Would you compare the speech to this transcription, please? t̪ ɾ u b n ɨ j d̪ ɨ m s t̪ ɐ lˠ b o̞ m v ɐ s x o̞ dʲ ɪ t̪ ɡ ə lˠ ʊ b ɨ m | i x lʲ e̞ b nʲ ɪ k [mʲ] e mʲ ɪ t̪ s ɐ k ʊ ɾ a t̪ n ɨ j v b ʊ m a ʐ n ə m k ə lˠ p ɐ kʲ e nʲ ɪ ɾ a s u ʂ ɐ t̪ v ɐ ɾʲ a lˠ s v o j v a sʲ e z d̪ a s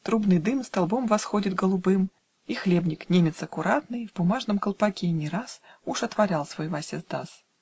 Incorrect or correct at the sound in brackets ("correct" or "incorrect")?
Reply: incorrect